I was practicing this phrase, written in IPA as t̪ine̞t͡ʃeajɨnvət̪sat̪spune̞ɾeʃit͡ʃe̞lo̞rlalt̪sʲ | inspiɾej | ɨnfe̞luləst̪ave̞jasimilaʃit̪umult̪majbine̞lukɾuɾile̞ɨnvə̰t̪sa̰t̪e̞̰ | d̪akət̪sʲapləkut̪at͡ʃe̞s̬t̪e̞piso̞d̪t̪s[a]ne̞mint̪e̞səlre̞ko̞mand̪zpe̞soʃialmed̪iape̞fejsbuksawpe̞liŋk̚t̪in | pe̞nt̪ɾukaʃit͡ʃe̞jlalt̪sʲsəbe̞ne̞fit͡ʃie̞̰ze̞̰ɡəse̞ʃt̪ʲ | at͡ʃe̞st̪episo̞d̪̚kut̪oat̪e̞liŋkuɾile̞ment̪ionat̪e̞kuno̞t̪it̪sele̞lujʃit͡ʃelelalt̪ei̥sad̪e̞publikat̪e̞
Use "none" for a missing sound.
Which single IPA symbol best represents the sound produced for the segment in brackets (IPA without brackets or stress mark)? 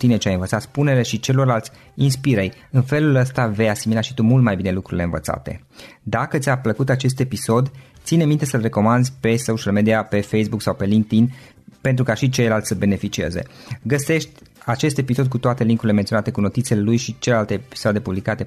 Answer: i